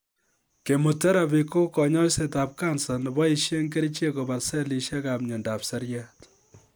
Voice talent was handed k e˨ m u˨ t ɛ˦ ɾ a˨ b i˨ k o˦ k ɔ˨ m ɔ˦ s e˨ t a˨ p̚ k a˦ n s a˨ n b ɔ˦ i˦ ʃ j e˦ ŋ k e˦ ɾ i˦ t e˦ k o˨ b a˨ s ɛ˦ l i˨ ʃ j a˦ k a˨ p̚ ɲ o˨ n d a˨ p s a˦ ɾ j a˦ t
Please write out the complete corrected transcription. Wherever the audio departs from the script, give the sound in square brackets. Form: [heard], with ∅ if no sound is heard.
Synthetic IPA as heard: k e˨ m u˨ t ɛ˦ ɾ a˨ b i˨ k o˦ k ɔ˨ [ɲ] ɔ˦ s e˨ t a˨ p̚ k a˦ n s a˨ n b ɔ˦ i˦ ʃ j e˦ ŋ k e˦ ɾ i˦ [t͡ʃ] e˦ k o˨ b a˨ s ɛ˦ l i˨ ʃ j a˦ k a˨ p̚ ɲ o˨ n d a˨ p s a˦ ɾ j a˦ t